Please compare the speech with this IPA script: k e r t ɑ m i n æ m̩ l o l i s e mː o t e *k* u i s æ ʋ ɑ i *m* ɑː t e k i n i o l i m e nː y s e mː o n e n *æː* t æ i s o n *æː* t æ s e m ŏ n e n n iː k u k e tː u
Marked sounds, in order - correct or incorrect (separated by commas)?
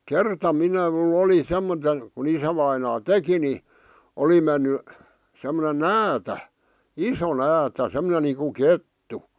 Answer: correct, incorrect, correct, correct